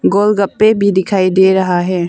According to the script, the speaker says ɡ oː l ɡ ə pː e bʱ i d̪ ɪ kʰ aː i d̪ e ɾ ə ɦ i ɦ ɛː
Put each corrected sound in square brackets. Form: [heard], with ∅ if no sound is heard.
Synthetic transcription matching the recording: ɡ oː l ɡ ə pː e bʱ i d̪ ɪ kʰ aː i d̪ e ɾ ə ɦ [a] ɦ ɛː